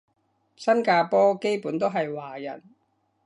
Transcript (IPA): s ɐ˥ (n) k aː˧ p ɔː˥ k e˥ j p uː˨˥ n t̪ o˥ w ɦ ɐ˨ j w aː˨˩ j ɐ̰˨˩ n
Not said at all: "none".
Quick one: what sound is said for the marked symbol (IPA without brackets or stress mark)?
n